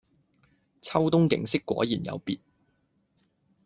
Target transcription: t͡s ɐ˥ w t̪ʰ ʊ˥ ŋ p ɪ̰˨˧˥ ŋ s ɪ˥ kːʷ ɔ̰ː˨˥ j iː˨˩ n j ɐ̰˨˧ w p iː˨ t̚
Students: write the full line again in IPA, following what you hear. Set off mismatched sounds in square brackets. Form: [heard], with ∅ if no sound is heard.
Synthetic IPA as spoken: [t͡sʰ] ɐ˥ w [t̪] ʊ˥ ŋ [k] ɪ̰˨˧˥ ŋ s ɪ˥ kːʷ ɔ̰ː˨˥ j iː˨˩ n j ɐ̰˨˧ w p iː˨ t̚